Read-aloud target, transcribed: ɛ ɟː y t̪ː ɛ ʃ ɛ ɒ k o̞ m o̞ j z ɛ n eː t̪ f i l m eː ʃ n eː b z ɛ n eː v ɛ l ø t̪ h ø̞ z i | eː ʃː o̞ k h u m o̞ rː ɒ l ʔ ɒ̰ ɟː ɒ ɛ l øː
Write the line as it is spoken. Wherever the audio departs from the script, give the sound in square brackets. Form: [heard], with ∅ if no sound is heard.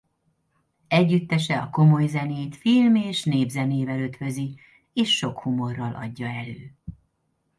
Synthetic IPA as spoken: ɛ ɟː y t̪ː ɛ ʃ ɛ ɒ k o̞ m o̞ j z ɛ n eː t̪ f i l m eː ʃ n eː b z ɛ n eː v ɛ l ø t̪ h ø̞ z i | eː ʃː o̞ k h u m o̞ rː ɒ l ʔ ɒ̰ ɟː ɒ ɛ l øː

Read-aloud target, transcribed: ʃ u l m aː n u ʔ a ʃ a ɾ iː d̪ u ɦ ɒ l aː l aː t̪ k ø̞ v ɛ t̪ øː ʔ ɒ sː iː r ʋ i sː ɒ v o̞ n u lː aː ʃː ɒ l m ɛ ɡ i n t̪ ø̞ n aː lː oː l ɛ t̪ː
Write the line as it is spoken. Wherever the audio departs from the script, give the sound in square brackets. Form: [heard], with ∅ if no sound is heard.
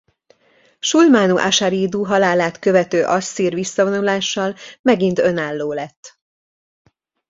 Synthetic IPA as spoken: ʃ u l m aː n u ʔ a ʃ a ɾ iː d̪ u ɦ ɒ l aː l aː t̪ k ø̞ v ɛ t̪ øː ʔ ɒ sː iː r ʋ i sː ɒ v o̞ n u [l] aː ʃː ɒ l m ɛ ɡ i n t̪ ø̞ n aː lː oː l ɛ t̪ː

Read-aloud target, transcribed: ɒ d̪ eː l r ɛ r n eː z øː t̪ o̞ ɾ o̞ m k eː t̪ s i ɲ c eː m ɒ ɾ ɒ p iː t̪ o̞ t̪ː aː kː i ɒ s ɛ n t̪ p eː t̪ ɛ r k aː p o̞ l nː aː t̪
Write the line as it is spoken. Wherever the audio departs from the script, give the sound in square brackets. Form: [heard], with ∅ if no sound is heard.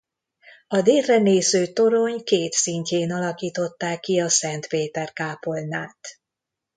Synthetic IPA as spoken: ɒ d̪ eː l r ɛ [∅] n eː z øː t̪ o̞ ɾ o̞ [ɲ] k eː t̪ s i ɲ c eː [n] ɒ [l] ɒ [k] iː t̪ o̞ t̪ː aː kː i ɒ s ɛ n t̪ p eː t̪ ɛ r k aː p o̞ l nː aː t̪

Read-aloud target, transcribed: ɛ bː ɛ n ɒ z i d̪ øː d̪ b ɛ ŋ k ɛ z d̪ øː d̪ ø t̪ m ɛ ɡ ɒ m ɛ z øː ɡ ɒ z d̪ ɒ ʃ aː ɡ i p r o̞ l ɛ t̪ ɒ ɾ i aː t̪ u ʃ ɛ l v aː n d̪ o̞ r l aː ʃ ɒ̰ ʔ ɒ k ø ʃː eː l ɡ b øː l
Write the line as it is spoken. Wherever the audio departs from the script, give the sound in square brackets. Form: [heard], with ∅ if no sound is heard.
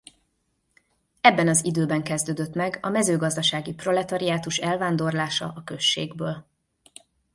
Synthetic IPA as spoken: ɛ bː ɛ n ɒ z i d̪ øː [∅] b ɛ ŋ k ɛ z d̪ øː d̪ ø t̪ m ɛ ɡ ɒ m ɛ z øː ɡ ɒ z d̪ ɒ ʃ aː ɡ i p r o̞ l ɛ t̪ ɒ ɾ i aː t̪ u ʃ ɛ l v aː n d̪ o̞ r l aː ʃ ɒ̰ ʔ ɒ k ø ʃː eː [∅] ɡ b øː l

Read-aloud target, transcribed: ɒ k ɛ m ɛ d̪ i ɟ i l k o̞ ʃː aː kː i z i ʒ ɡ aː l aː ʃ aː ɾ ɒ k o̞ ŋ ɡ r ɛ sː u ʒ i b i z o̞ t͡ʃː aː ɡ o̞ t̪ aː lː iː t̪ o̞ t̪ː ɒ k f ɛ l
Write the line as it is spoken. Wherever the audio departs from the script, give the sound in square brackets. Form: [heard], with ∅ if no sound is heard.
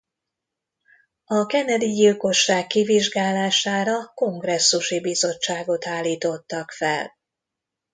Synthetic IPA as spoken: ɒ k ɛ [n] ɛ d̪ i ɟ i l k o̞ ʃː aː kː i [v] i ʒ ɡ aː l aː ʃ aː ɾ ɒ k o̞ ŋ ɡ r ɛ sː u [ʃ] i b i z o̞ t͡ʃː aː ɡ o̞ t̪ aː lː iː t̪ o̞ t̪ː ɒ k f ɛ l

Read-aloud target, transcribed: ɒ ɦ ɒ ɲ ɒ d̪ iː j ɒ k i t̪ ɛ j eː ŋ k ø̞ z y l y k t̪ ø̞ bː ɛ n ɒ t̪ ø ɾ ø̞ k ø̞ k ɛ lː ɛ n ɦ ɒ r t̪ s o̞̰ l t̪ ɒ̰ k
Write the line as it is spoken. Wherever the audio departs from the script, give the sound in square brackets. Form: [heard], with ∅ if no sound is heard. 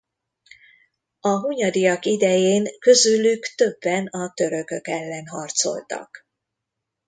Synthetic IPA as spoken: ɒ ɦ [u] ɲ ɒ d̪ [i] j ɒ k i [d̪] ɛ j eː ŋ k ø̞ z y l y k t̪ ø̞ bː ɛ n ɒ t̪ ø ɾ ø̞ k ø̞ k ɛ lː ɛ n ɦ ɒ r t̪ s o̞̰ l t̪ ɒ̰ k

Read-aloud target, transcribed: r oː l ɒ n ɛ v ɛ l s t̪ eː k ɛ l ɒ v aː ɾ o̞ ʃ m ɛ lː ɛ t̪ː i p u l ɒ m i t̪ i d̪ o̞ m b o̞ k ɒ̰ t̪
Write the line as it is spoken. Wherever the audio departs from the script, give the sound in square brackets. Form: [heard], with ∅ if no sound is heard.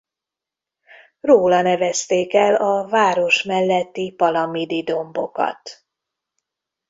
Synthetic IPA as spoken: r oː l ɒ n ɛ v ɛ [∅] s t̪ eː k ɛ l ɒ v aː ɾ o̞ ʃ m ɛ lː ɛ t̪ː i p [ɒ] l ɒ m i [d̪] i d̪ o̞ m b o̞ k ɒ̰ t̪

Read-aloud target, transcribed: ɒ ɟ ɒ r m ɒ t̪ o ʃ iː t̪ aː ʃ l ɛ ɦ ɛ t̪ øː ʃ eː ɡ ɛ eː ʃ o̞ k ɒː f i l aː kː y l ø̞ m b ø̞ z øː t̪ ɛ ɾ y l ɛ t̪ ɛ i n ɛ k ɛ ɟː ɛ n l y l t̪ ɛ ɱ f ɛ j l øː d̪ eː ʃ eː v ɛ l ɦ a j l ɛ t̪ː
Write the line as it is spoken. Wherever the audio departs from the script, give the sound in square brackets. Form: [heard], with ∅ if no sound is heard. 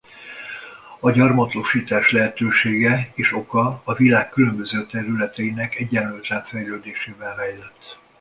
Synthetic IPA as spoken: ɒ ɟ ɒ r m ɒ t̪ o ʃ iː t̪ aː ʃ l ɛ ɦ ɛ t̪ øː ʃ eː ɡ ɛ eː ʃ o̞ k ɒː [v] i l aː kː y l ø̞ m b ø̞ z øː t̪ ɛ ɾ y l ɛ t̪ ɛ i n ɛ k ɛ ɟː ɛ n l y l t̪ ɛ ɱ f ɛ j l øː d̪ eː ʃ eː v ɛ l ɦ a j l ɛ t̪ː

